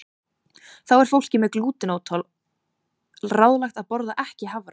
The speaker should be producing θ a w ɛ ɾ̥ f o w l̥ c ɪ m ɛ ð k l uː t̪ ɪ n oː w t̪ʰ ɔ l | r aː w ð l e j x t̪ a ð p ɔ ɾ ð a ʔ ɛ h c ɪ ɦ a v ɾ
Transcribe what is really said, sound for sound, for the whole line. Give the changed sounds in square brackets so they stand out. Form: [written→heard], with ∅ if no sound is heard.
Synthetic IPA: θ a w ɛ ɾ̥ f o w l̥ c ɪ m ɛ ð k l uː t̪ ɪ n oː w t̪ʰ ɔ l | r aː w ð l [e→a] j x t̪ a ð p ɔ ɾ ð a ʔ ɛ h c ɪ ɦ a v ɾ